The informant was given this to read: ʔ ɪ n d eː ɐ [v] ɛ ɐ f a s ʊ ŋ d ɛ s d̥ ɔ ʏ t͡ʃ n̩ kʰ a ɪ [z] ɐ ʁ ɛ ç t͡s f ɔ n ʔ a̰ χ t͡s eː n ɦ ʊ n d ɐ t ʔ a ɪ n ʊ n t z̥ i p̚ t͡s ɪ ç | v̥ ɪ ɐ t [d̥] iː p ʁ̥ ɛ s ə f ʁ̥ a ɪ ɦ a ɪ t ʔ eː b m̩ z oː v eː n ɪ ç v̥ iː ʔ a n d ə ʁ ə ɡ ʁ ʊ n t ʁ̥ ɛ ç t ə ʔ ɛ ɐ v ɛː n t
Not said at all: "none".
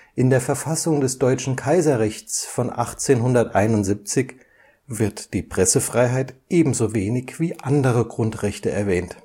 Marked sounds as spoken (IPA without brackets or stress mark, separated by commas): f, z, d̥